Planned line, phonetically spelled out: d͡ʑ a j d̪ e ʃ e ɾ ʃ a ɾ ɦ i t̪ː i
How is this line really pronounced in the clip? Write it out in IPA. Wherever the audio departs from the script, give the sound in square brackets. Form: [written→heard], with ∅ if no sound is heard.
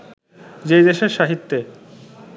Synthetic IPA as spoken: d͡ʑ [a→e] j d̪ e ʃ e ɾ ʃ a [ɾ→∅] ɦ i t̪ː [i→e]